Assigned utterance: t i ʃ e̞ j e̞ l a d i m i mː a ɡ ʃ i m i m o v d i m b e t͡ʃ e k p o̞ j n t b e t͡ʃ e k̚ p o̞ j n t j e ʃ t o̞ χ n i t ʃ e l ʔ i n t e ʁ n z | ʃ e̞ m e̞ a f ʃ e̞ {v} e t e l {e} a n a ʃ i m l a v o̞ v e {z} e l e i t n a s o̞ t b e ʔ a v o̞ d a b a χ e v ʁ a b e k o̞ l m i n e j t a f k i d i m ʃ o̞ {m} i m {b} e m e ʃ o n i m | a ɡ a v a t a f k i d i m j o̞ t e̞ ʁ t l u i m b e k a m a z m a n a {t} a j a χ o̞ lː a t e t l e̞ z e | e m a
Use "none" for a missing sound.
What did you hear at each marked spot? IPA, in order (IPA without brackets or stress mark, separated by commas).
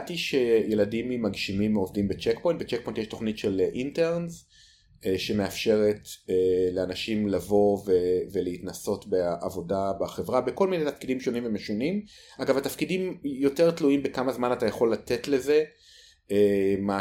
ʁ, e, v, n, v, t